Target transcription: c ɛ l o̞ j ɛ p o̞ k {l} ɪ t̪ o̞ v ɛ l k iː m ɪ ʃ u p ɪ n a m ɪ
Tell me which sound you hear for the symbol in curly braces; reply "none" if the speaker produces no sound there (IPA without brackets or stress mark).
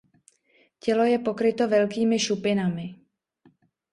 ɾ